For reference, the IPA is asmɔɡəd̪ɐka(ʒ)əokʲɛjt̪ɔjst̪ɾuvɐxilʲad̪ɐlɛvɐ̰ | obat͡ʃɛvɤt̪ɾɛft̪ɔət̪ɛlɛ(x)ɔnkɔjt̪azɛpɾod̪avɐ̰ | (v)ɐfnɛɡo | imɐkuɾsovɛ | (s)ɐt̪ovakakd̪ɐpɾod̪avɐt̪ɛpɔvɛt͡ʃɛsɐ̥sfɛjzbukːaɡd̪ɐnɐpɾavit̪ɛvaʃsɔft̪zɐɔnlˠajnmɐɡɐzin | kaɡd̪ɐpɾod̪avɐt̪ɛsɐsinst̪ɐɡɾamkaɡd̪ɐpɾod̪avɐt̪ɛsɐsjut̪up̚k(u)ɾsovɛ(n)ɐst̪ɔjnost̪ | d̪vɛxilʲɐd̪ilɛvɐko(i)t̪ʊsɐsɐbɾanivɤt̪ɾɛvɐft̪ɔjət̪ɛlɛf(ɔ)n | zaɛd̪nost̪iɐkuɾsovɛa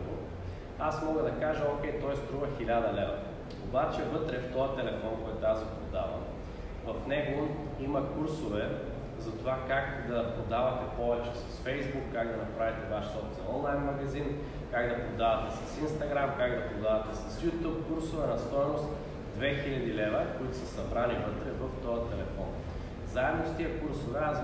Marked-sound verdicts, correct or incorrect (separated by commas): correct, incorrect, correct, incorrect, correct, correct, correct, correct